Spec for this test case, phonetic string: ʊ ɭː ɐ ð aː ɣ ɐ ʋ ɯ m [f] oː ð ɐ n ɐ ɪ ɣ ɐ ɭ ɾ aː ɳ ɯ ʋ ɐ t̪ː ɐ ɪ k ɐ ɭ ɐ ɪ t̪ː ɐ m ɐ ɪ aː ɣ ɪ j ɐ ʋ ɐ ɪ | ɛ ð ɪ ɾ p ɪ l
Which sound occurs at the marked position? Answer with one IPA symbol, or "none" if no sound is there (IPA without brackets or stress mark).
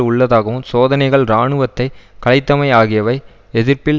s